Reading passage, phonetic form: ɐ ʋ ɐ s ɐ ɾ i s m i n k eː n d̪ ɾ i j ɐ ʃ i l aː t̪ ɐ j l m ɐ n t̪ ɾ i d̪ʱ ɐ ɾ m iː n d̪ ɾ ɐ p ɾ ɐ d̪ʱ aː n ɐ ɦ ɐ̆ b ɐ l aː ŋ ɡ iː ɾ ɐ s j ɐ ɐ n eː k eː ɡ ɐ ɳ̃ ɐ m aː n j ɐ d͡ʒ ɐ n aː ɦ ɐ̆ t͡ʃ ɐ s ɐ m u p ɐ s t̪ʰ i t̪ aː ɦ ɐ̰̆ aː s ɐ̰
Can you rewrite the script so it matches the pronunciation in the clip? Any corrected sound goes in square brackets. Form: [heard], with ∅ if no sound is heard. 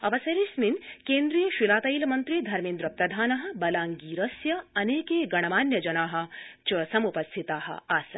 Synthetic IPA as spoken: ɐ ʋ ɐ s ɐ ɾ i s m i n k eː n d̪ ɾ i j ɐ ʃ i l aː t̪ ɐ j l m ɐ n t̪ ɾ i d̪ʱ ɐ ɾ m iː n d̪ ɾ ɐ p ɾ ɐ d̪ʱ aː n ɐ ɦ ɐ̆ b ɐ l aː ŋ ɡ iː ɾ ɐ s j ɐ ɐ n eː k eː ɡ ɐ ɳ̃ ɐ m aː n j ɐ d͡ʒ ɐ n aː ɦ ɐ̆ t͡ʃ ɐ s ɐ m u p ɐ s t̪ʰ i t̪ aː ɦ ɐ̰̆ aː s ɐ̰

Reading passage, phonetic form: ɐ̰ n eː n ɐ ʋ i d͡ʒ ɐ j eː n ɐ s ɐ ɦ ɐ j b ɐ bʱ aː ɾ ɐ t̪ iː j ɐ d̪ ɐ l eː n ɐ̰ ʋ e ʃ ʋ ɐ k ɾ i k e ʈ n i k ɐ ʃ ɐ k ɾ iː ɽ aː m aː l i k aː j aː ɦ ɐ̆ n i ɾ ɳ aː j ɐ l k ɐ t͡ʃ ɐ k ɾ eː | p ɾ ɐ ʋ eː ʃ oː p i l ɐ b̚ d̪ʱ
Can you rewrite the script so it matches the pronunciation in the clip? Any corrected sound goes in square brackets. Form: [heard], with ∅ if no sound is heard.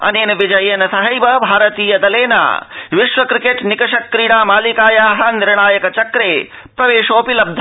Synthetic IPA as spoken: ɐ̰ n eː n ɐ ʋ i d͡ʒ ɐ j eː n ɐ s ɐ ɦ ɐ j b ɐ bʱ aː ɾ ɐ t̪ iː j ɐ d̪ ɐ l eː n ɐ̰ ʋ [i] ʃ ʋ ɐ k ɾ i k e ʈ n i k ɐ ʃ ɐ k ɾ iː ɽ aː m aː l i k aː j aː ɦ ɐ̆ n i ɾ ɳ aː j ɐ [∅] k ɐ t͡ʃ ɐ k ɾ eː | p ɾ ɐ ʋ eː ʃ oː p i l ɐ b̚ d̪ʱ

